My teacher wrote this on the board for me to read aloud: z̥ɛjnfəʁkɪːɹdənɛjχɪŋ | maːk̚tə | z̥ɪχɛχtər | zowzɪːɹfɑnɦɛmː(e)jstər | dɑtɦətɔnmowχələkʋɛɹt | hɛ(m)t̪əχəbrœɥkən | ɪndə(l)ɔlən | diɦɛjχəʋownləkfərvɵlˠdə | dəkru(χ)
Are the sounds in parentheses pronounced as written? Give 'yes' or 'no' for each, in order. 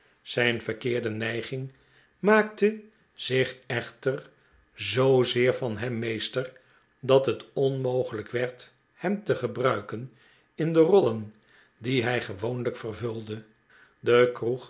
yes, yes, no, yes

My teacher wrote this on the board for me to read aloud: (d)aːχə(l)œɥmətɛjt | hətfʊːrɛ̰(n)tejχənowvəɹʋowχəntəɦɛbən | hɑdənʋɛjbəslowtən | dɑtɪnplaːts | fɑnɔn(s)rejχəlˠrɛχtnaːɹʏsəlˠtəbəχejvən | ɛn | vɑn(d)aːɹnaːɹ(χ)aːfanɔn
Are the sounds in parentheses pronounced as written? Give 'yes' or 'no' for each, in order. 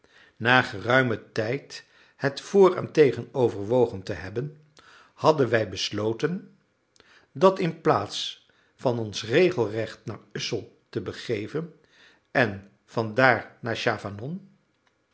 no, no, yes, yes, yes, no

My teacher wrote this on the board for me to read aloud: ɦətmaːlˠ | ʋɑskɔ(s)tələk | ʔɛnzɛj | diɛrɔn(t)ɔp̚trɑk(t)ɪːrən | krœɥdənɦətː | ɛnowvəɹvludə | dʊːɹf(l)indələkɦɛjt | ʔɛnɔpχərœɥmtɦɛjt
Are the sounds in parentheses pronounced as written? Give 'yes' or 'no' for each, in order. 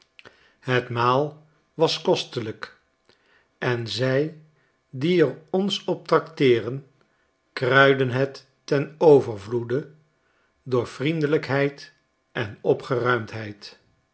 yes, no, yes, no

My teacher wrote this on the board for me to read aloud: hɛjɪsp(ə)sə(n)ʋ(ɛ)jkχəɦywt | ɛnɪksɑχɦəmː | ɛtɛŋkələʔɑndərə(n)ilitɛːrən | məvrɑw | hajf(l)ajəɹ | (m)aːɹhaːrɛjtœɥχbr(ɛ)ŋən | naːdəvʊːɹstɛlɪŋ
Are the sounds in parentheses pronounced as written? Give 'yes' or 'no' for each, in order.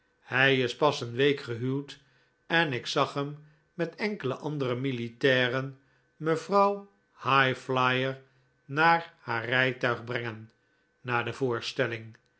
no, yes, no, no, yes, no, yes

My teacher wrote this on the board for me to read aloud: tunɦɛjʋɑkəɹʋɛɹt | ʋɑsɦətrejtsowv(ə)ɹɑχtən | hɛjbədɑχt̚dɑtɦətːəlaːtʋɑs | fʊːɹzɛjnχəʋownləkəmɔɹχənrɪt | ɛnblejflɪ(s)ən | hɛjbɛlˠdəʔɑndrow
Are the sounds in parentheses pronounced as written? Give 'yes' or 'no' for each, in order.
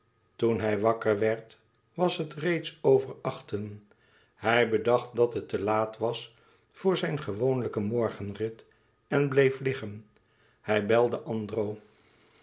yes, no

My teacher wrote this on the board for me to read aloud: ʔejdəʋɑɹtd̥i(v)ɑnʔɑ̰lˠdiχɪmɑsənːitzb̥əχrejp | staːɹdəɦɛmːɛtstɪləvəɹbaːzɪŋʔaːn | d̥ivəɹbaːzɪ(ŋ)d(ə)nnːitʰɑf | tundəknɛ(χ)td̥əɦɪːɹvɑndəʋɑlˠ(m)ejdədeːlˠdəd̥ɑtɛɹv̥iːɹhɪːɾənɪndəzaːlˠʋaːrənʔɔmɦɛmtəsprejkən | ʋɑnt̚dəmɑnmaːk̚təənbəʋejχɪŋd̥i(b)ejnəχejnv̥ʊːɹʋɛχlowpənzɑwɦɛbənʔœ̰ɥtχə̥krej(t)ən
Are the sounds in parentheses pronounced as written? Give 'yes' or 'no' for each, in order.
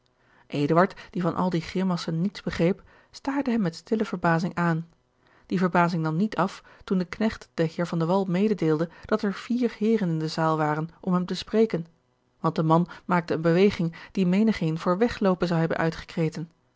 yes, yes, no, yes, yes, no, yes

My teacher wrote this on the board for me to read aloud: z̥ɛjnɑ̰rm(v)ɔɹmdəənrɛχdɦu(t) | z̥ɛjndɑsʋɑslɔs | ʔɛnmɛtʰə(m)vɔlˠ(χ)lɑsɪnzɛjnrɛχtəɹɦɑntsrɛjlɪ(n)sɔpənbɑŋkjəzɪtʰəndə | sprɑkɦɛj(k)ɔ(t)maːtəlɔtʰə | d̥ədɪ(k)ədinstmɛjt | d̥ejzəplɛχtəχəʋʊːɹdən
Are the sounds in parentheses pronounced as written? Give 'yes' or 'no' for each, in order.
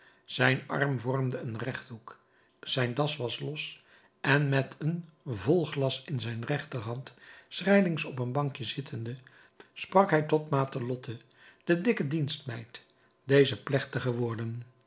yes, no, no, yes, no, no, yes, yes

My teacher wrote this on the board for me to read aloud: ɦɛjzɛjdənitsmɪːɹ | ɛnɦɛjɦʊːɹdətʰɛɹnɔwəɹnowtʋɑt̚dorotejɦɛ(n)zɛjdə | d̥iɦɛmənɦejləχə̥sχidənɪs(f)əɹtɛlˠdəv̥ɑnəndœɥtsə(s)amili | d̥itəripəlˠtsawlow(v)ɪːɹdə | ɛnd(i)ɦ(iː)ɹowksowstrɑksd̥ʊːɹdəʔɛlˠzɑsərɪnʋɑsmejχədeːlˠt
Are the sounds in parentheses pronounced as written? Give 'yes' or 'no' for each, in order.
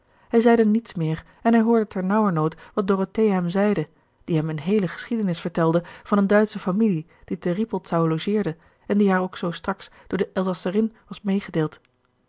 no, yes, no, no, yes, no

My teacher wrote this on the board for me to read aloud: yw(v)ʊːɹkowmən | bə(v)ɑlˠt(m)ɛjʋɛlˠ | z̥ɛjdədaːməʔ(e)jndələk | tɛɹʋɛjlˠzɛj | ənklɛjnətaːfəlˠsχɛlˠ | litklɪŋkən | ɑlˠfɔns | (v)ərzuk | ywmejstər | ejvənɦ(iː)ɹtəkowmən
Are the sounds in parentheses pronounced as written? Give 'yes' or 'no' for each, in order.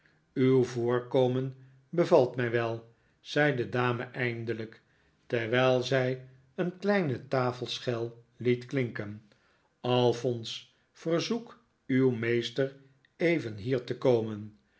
yes, yes, yes, no, no, yes

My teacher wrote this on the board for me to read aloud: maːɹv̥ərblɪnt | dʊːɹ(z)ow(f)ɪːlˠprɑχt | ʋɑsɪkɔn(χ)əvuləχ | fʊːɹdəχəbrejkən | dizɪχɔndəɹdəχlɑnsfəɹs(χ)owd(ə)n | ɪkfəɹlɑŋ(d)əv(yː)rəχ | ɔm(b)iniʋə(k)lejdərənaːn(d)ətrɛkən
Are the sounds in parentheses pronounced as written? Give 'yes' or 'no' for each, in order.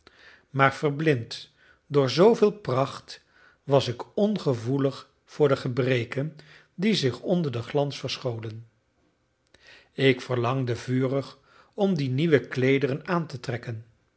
yes, no, yes, yes, yes, yes, yes, no, yes, no

